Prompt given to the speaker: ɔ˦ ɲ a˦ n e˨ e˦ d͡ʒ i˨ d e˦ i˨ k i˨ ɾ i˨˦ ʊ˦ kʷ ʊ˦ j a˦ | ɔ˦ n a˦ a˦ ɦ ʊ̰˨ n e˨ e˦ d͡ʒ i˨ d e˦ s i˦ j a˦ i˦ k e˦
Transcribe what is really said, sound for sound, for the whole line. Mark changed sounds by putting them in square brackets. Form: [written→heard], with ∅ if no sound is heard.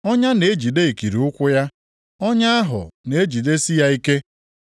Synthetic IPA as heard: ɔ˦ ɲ a˦ n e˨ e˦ d͡ʒ i˨ d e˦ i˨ k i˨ ɾ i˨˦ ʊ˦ kʷ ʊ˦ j a˦ | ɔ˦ [n→ɲ] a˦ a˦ ɦ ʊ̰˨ n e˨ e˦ d͡ʒ i˨ d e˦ s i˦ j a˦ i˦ k e˦